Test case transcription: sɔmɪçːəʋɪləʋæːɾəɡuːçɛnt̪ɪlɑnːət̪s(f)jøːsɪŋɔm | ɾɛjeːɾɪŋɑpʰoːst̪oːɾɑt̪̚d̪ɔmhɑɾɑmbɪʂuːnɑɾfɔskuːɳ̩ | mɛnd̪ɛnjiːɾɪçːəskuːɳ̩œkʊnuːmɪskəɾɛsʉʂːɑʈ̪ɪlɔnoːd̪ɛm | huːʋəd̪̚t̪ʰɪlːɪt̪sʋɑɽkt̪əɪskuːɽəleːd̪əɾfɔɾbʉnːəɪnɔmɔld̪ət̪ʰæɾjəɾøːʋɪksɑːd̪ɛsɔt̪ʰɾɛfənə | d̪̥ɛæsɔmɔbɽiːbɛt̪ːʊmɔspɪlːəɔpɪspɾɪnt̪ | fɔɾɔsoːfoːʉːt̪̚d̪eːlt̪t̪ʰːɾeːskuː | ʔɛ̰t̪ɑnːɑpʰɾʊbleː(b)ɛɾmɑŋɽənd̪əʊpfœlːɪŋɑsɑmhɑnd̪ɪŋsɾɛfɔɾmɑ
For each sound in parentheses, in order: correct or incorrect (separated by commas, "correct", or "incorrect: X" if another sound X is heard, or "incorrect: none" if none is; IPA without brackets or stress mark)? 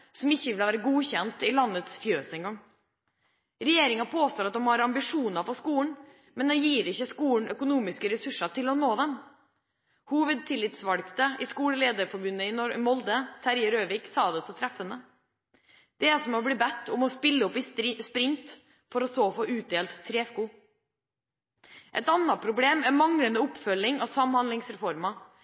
correct, incorrect: m